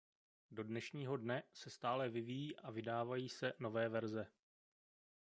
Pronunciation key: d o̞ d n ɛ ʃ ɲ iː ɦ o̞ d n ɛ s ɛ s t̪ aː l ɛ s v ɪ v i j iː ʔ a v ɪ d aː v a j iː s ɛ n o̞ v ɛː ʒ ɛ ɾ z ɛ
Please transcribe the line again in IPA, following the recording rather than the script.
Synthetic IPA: d o̞ d n ɛ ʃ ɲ iː ɦ o̞ d n ɛ s ɛ s t̪ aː l ɛ v ɪ v i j iː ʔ a v ɪ d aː v a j iː s ɛ n o̞ v ɛː v ɛ ɾ z ɛ